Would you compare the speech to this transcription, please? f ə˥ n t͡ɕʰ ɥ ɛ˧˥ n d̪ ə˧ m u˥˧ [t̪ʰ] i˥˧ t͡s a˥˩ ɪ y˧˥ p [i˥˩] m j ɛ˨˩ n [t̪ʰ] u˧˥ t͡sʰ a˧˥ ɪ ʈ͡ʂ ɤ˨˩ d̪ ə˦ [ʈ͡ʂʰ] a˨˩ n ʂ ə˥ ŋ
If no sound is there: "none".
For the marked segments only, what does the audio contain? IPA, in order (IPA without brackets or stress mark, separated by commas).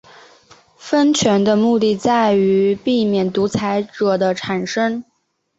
t̪, i˥˩, t̪, ʈ͡ʂʰ